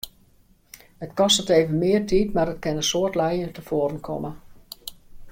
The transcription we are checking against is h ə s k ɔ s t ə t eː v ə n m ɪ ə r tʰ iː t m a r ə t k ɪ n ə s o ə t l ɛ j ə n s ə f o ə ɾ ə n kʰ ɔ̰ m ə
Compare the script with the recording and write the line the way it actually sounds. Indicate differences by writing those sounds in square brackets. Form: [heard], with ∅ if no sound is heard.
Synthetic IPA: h ə [t] k ɔ s t ə t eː v ə n m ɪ ə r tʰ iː t m a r ə t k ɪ n ə s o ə t l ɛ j ə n [t] ə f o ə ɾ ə n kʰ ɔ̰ m ə